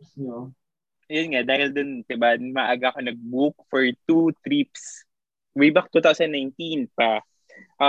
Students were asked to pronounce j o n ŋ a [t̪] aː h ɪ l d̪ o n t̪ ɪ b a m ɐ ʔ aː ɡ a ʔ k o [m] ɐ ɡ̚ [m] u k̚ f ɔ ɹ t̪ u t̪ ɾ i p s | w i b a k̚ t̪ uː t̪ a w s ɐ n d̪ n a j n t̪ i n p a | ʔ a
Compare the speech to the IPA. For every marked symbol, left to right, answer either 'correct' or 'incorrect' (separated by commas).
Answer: incorrect, incorrect, incorrect